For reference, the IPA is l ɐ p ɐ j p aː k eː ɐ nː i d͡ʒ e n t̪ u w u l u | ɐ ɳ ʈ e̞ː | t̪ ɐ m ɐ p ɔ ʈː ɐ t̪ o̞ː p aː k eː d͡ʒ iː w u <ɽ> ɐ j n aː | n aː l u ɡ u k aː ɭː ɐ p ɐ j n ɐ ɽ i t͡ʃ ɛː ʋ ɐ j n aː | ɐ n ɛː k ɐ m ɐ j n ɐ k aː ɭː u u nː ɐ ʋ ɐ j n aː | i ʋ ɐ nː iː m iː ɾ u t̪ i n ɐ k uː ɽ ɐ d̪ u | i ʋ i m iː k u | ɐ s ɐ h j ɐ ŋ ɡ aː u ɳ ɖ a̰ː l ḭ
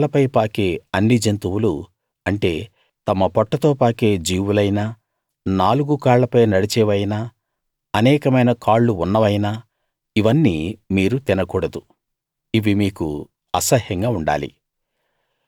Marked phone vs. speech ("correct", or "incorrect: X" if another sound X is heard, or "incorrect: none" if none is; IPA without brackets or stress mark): incorrect: l